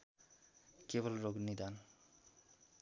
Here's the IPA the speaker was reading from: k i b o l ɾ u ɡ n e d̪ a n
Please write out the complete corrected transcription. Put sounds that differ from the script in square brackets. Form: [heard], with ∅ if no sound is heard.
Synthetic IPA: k [e] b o l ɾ [o] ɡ n [i] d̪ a n